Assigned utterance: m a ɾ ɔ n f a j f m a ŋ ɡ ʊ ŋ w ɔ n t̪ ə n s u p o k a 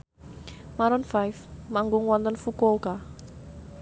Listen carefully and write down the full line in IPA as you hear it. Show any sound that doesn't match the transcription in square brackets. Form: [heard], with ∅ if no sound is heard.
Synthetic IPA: m a ɾ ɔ n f a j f m a ŋ ɡ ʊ ŋ w ɔ n t̪ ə n [f] u [k] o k a